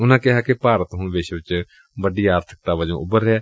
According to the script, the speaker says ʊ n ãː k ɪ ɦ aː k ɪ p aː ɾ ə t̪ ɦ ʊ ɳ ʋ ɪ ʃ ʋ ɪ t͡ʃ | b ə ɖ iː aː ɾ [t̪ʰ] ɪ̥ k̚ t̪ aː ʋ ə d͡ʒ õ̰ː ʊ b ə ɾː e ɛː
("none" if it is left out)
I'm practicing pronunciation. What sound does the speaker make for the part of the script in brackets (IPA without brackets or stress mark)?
t̪ʰ